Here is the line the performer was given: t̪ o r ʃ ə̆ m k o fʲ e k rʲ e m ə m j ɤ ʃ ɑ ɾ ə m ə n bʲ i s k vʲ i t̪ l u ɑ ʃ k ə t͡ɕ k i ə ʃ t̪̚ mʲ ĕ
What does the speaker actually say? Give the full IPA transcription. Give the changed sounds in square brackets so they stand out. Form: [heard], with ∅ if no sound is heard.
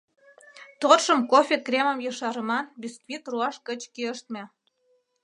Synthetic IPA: t̪ o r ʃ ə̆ m k o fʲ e k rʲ e m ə m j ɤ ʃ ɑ ɾ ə m [ɑ] n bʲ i s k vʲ i t̪ [r] u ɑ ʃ k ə t͡ɕ k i ə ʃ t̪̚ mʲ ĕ